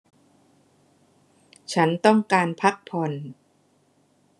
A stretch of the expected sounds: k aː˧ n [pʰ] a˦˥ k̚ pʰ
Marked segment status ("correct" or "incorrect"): correct